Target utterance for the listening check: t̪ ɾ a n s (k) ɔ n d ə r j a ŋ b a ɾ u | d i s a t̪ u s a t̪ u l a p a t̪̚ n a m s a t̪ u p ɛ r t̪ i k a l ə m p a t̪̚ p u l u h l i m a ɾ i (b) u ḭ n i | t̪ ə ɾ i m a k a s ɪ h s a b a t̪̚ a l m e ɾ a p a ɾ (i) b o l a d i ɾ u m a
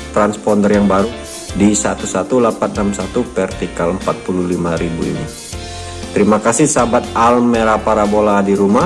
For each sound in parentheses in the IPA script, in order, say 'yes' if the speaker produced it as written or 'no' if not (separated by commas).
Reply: no, yes, no